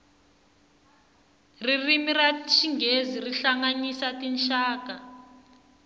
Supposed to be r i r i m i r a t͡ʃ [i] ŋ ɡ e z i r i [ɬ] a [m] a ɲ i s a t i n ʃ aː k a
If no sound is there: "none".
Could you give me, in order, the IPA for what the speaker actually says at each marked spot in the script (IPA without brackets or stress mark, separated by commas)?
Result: i, ɬ, ŋ